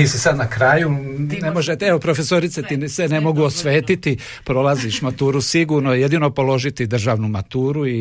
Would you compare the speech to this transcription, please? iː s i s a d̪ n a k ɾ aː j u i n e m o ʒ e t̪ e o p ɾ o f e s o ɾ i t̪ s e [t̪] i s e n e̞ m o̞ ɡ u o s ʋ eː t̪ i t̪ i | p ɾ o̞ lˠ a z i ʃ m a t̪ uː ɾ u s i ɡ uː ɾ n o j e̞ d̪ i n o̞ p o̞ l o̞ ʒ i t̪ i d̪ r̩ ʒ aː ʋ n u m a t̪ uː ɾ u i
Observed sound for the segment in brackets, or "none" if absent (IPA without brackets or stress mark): t̪